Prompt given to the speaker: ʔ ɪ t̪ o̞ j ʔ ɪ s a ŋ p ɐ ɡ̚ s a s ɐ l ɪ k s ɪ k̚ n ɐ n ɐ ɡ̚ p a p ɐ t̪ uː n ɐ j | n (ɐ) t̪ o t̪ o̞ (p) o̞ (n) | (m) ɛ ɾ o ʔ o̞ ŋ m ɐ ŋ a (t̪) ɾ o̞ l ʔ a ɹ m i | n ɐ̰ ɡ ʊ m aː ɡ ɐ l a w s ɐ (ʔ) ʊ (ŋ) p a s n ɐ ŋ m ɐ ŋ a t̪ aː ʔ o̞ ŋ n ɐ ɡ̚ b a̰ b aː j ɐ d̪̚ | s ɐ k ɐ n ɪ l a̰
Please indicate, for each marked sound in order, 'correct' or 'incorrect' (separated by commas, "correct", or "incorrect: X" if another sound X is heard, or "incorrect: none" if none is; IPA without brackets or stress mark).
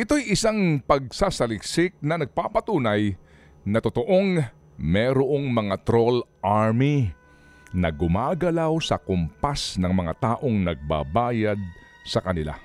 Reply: correct, incorrect: ʔ, incorrect: ŋ, correct, correct, incorrect: k, incorrect: m